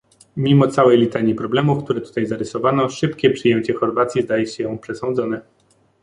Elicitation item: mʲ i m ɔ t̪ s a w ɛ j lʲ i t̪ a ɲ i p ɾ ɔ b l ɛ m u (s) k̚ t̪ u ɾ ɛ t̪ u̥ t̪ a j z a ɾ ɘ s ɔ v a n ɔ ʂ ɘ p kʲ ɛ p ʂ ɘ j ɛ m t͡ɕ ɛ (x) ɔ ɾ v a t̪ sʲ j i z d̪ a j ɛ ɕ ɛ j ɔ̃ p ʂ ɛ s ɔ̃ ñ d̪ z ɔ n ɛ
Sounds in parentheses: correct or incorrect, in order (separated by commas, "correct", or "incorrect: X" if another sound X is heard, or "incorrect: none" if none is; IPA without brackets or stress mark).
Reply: incorrect: f, correct